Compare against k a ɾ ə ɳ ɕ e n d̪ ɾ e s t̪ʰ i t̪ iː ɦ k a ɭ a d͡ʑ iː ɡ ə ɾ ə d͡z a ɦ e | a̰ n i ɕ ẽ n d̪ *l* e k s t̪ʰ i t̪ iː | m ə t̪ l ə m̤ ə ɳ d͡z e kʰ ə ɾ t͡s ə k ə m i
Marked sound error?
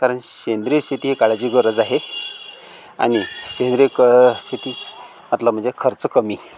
yes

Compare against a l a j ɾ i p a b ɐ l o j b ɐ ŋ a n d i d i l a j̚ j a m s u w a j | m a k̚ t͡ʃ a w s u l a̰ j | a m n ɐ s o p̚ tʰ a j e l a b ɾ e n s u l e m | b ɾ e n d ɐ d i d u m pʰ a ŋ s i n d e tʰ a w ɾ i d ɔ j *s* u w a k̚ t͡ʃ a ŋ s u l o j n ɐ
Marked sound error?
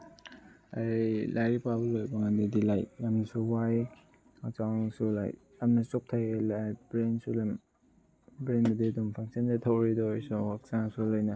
no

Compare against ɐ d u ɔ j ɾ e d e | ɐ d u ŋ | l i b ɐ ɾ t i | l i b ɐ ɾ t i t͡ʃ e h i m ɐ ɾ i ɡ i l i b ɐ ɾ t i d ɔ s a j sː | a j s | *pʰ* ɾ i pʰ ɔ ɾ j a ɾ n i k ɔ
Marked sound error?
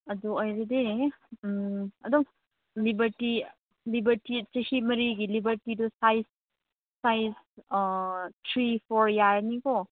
yes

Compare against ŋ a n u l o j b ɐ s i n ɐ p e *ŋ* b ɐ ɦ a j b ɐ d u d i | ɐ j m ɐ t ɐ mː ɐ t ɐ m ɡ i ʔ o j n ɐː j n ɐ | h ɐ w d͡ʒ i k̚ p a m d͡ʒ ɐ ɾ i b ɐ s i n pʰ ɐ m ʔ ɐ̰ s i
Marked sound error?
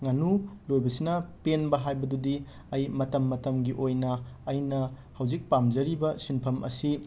yes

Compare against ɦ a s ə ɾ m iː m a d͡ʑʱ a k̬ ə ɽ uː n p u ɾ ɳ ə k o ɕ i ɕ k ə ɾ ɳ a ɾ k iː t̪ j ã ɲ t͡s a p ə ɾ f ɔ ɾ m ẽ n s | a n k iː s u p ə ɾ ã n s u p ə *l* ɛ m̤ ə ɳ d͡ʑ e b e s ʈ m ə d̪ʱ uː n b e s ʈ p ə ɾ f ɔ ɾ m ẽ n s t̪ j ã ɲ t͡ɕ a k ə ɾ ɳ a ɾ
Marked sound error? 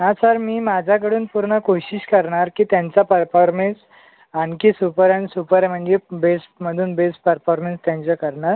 yes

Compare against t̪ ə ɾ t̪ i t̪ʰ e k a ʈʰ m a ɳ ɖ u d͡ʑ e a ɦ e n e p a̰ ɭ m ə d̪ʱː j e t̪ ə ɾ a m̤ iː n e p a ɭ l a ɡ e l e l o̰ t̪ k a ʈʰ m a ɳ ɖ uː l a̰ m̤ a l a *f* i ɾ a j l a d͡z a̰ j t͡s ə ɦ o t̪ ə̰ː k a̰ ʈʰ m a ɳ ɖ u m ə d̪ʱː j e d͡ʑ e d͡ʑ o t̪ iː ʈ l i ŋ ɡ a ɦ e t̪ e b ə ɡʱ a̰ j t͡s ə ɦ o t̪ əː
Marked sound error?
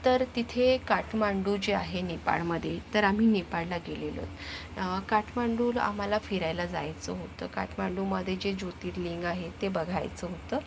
no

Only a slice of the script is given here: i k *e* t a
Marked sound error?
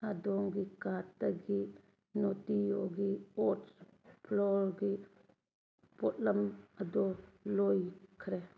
yes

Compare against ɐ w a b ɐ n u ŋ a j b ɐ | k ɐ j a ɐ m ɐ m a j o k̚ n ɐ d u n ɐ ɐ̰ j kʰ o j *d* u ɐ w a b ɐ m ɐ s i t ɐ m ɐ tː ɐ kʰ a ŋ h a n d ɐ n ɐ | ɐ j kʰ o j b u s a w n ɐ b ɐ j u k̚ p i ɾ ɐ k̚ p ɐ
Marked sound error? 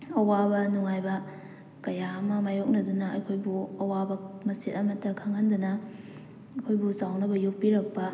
yes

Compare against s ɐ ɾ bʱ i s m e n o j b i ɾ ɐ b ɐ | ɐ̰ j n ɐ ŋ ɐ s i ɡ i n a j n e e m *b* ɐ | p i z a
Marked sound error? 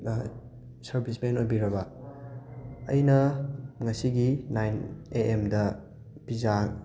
yes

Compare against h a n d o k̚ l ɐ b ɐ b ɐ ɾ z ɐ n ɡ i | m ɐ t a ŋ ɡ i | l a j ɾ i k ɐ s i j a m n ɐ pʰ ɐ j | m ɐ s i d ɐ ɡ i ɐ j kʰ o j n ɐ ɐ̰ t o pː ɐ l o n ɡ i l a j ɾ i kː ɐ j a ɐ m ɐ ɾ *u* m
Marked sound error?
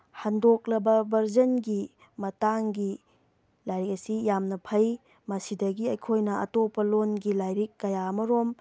yes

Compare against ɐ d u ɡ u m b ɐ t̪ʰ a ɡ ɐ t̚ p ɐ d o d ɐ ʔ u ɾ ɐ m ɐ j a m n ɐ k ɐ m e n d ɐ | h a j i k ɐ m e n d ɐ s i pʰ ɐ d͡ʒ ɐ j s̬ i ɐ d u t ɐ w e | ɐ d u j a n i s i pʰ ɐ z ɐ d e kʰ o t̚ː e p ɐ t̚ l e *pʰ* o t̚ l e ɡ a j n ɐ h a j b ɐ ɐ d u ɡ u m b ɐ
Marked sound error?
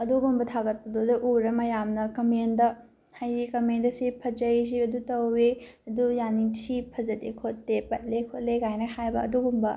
yes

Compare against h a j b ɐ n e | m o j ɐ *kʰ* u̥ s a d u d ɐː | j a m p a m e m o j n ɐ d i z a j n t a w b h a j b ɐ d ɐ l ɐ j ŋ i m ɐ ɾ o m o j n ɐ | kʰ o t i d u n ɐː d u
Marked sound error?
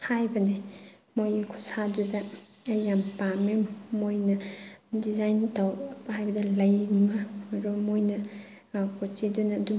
no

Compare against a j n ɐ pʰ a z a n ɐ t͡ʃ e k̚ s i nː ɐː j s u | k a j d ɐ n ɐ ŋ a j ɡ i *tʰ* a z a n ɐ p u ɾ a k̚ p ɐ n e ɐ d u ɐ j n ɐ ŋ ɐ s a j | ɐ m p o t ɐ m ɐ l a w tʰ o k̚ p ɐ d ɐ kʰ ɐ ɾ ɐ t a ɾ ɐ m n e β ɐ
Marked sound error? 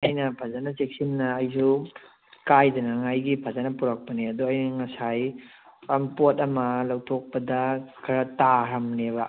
yes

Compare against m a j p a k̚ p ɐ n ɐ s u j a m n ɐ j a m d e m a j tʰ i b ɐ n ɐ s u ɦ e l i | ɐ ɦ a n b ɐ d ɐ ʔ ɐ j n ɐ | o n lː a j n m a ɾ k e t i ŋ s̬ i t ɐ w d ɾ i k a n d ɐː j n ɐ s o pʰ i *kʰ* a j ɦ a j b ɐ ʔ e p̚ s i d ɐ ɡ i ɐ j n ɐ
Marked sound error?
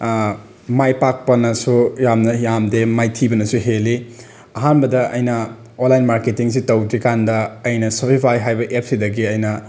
yes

